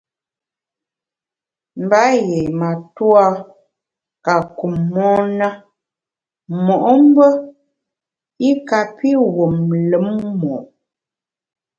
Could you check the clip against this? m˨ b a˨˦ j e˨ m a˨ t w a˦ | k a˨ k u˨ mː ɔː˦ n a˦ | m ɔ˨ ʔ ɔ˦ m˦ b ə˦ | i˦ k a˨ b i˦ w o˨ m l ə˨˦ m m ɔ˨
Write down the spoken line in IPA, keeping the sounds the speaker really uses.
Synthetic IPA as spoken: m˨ b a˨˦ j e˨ m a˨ t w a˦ | k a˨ k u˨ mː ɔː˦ n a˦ | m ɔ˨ ʔ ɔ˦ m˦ b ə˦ | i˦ k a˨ p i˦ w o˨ m l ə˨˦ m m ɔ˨